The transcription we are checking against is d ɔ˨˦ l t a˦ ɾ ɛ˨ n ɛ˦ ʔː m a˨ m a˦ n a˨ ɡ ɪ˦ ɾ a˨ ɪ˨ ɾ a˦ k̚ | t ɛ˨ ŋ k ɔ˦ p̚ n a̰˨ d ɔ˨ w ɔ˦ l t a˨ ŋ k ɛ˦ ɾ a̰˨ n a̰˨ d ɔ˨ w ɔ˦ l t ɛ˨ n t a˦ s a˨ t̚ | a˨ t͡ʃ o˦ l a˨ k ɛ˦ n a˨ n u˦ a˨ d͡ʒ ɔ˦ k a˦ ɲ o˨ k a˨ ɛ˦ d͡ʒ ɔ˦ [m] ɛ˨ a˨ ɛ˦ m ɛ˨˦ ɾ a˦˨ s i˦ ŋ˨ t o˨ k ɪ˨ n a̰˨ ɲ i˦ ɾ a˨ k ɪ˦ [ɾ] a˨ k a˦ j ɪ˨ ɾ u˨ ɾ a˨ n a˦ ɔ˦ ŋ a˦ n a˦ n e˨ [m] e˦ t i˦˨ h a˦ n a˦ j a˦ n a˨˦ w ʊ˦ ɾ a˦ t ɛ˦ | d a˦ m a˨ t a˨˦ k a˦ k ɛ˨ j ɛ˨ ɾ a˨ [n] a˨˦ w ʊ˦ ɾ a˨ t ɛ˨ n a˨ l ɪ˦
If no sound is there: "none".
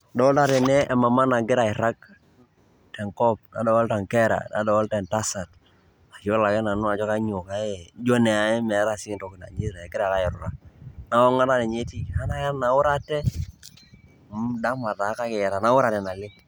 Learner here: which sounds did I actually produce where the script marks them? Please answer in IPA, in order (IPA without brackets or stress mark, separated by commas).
n, ɾ, ɲ, n